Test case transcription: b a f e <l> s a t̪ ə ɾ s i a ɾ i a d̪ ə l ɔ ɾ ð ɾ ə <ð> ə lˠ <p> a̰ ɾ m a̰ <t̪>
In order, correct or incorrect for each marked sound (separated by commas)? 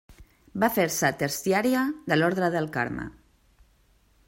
incorrect, correct, incorrect, incorrect